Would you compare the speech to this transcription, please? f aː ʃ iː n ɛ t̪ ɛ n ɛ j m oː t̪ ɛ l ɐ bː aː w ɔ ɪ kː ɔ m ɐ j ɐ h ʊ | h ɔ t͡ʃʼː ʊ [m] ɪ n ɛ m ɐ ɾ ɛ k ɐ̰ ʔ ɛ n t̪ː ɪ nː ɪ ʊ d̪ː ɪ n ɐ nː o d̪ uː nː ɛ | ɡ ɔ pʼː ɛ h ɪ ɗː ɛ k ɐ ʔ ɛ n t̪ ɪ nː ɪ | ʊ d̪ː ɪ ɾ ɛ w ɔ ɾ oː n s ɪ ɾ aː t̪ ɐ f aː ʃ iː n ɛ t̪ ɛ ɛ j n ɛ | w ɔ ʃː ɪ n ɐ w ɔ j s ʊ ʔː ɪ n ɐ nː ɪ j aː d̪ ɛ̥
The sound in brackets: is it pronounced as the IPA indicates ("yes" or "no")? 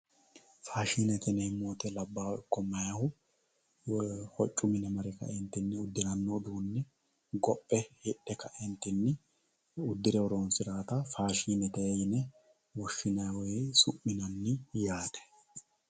yes